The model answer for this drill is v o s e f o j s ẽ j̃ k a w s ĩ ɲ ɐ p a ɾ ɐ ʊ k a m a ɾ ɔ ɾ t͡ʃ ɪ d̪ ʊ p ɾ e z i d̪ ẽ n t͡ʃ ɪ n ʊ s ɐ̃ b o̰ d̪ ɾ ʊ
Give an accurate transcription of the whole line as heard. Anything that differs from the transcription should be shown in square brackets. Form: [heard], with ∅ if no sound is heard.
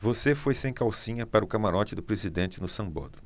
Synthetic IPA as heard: v o s e f o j s ẽ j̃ k a w s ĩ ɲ ɐ p a ɾ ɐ ʊ k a m a ɾ ɔ [∅] t͡ʃ ɪ d̪ ʊ p ɾ e z i d̪ ẽ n t͡ʃ ɪ n ʊ s ɐ̃ b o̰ d̪ ɾ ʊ

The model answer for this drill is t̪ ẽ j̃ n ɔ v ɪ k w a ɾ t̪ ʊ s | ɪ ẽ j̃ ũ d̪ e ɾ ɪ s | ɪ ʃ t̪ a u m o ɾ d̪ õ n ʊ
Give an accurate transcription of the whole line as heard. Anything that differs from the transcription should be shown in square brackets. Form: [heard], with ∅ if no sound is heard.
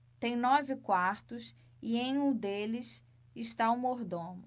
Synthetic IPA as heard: t̪ ẽ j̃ n ɔ v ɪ k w a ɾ t̪ ʊ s | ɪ ẽ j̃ ũ d̪ e [l] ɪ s | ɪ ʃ t̪ a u m o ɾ d̪ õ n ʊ

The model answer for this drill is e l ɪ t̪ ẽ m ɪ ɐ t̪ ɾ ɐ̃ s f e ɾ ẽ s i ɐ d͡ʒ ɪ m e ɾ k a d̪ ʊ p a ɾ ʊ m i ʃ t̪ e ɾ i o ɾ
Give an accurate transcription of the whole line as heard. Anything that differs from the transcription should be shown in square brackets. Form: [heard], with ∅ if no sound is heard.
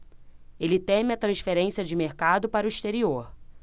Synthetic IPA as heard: e l ɪ t̪ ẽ m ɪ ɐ t̪ ɾ ɐ̃ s f e ɾ ẽ s i ɐ d͡ʒ ɪ m e ɾ k a d̪ ʊ p a ɾ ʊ [∅] i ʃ t̪ e ɾ i o ɾ

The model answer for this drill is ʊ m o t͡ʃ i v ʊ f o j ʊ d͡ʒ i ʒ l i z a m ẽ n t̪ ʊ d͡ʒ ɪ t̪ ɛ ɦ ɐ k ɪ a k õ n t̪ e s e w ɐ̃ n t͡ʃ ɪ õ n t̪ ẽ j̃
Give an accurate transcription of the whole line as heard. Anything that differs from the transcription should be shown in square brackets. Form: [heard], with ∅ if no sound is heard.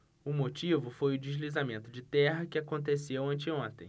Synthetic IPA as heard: ʊ m o t͡ʃ i v ʊ f o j ʊ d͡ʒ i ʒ l i z a m ẽ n t̪ ʊ d͡ʒ ɪ t̪ ɛ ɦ ɐ k ɪ a k õ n t̪ e s e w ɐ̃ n t͡ʃ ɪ õ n t̪ ẽ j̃

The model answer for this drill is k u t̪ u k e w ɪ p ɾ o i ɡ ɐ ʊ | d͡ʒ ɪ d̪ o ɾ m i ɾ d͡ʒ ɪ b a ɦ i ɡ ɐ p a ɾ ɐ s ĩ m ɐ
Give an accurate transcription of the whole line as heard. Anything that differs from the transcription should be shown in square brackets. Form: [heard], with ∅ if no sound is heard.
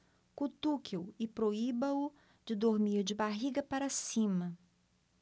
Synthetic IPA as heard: k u t̪ u k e w ɪ p ɾ o i [b] ɐ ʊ | d͡ʒ ɪ d̪ o ɾ m i ɾ d͡ʒ ɪ b a ɦ i ɡ ɐ p a ɾ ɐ s ĩ m ɐ

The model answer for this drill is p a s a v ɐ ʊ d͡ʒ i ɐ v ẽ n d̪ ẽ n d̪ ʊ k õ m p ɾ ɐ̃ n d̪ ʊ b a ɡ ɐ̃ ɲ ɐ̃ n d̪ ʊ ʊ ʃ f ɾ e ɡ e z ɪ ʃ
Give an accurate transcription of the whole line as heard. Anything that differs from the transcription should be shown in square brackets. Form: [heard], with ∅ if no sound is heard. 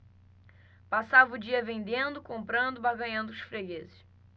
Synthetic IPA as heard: p a s a v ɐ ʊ d͡ʒ i ɐ v ẽ n d̪ ẽ n d̪ ʊ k õ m p ɾ ɐ̃ n d̪ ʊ b a ɡ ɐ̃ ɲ ɐ̃ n d̪ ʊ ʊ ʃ f ɾ e ɡ e z ɪ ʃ

